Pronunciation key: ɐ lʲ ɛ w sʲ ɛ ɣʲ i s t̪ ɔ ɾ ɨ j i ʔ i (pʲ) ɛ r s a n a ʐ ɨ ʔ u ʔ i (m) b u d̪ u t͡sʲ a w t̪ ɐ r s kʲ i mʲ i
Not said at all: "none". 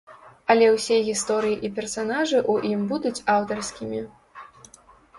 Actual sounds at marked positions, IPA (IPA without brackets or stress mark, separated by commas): pʲ, m